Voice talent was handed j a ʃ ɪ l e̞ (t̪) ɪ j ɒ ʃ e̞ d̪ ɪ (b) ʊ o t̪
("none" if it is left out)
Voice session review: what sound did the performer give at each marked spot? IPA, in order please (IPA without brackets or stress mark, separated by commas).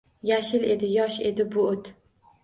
d̪, b